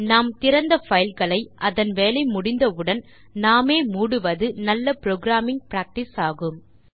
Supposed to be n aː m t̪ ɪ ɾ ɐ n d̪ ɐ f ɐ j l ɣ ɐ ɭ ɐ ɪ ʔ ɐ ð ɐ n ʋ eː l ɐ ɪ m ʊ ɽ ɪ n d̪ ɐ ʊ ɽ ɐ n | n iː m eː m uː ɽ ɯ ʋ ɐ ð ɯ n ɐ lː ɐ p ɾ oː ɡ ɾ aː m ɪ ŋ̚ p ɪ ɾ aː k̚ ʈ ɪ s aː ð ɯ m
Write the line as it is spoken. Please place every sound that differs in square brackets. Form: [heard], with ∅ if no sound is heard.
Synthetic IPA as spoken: n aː m t̪ ɪ ɾ ɐ n d̪ ɐ f ɐ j l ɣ ɐ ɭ ɐ ɪ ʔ ɐ ð ɐ n ʋ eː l ɐ ɪ m ʊ ɽ ɪ n d̪ ɐ [ɯ] ɽ ɐ n | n [aː] m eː m uː ɽ ɯ ʋ ɐ ð ɯ n ɐ lː ɐ p ɾ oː ɡ ɾ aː m ɪ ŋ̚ p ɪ ɾ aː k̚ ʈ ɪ s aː [ɣ] ɯ m